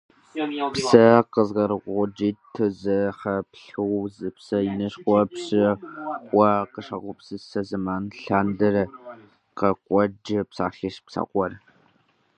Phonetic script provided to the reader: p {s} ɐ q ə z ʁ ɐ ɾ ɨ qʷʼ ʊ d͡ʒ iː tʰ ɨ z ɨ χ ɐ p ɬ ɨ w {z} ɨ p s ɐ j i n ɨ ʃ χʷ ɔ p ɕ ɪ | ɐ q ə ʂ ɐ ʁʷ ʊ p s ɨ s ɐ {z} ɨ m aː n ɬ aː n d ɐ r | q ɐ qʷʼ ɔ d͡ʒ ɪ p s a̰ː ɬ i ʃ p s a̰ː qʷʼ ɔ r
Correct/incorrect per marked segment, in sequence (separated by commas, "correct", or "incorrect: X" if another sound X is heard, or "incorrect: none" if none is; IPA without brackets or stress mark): correct, correct, correct